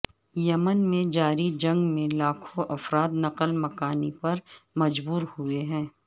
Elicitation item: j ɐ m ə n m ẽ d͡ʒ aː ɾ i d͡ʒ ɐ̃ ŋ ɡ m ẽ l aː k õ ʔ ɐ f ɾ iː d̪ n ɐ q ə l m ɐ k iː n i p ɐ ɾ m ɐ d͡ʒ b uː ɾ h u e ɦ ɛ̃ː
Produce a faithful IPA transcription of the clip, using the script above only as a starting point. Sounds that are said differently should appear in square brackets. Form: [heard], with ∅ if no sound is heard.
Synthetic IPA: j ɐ m ə n m ẽ d͡ʒ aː ɾ i d͡ʒ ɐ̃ ŋ ɡ m ẽ l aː [kʰ] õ ʔ ɐ f ɾ [aː] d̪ n ɐ q ə l m ɐ k [aː] n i p ɐ ɾ m ɐ d͡ʒ b uː ɾ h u e ɦ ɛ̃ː